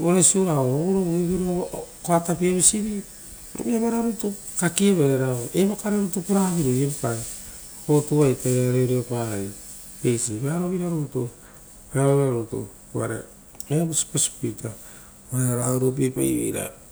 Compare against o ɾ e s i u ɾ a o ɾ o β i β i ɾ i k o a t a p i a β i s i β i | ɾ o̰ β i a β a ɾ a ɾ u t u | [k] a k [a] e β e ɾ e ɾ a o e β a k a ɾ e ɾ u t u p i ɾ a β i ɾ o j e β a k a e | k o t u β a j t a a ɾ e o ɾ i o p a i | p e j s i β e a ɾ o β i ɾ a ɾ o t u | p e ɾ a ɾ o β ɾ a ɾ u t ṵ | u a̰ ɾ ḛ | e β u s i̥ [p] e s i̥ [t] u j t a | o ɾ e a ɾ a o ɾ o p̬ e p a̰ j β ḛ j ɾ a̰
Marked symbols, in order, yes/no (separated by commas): yes, no, yes, no